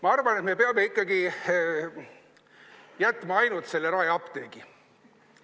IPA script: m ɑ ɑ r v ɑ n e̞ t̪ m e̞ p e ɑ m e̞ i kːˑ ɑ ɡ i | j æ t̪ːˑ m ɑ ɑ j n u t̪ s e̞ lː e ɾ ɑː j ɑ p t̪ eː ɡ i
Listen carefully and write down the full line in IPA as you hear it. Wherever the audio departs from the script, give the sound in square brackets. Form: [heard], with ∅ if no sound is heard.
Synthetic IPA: m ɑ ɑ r v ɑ n e̞ t̪ m e̞ p e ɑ m e̞ i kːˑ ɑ ɡ i | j æ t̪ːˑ m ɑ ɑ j n u t̪ s e̞ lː e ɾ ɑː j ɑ p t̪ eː ɡ i